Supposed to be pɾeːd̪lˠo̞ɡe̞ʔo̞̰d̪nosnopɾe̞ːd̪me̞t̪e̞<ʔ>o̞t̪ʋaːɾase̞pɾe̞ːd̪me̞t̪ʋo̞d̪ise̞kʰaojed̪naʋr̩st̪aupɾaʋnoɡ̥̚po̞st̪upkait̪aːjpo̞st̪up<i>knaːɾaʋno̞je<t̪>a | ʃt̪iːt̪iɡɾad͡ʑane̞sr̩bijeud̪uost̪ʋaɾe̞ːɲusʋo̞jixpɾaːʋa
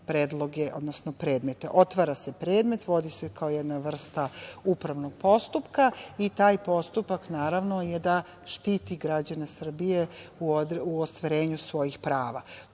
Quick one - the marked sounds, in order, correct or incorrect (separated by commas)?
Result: correct, incorrect, incorrect